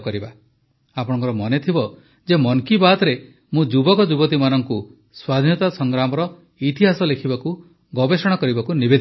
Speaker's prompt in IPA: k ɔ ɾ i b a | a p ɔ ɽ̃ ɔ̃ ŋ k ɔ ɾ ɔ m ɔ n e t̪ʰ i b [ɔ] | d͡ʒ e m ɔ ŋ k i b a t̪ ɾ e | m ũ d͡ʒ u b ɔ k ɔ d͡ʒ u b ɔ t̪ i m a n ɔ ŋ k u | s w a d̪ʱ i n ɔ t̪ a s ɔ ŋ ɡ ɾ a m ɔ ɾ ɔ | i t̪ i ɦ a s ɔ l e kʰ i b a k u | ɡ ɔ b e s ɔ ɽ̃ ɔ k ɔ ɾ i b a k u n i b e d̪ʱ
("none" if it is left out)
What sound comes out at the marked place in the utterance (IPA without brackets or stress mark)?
ɔ